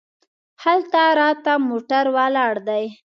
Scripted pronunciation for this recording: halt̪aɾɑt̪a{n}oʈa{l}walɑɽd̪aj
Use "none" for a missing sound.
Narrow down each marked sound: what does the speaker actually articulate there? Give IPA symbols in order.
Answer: m, ɾ

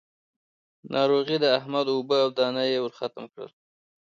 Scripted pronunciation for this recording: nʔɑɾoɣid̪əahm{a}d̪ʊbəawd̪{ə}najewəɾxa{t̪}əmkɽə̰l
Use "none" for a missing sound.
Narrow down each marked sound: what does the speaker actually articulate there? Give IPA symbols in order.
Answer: a, ɑ, t̪

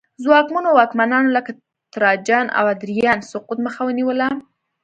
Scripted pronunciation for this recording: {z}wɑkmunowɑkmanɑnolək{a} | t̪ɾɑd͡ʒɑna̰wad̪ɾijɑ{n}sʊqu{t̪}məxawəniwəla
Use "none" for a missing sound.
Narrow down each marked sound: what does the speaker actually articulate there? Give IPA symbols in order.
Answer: z, a, n, t̪

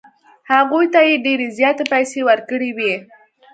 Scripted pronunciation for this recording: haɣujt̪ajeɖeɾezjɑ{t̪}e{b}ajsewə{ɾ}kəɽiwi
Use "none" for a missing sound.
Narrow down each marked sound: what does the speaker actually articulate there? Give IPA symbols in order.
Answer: t̪, p, ɾ

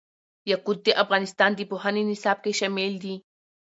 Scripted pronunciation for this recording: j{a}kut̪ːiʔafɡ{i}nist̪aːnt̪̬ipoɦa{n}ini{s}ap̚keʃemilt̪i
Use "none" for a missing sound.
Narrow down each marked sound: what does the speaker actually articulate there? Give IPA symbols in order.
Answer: a, a, n, s

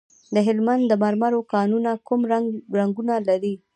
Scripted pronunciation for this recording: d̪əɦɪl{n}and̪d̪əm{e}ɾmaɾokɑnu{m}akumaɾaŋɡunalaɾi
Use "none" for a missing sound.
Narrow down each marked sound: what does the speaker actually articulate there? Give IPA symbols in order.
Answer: m, a, n

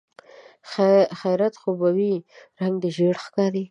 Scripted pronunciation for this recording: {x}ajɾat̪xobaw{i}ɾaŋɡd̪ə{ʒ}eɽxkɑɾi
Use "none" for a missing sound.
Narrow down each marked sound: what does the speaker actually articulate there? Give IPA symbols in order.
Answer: x, i, ʒ

